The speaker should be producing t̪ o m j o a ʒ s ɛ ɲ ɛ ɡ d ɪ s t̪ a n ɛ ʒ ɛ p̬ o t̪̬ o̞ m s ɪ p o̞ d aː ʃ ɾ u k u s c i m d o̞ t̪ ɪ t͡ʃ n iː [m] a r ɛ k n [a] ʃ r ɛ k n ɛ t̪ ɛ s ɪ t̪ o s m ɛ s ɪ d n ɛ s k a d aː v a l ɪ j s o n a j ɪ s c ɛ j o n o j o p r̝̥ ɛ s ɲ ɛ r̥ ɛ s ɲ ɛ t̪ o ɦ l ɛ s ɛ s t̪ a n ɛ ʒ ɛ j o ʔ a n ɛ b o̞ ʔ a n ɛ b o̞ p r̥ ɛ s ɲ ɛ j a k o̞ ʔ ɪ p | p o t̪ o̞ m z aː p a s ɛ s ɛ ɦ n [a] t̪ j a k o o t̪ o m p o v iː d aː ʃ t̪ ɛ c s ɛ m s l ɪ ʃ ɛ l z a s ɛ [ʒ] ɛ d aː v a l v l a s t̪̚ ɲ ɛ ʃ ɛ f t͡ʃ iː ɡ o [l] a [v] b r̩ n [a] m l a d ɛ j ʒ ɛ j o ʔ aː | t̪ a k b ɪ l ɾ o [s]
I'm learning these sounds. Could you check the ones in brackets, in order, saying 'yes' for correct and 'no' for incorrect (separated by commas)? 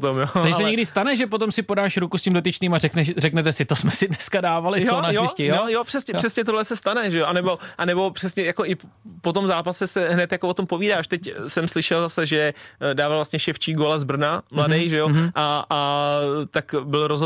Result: yes, no, no, yes, yes, no, yes, no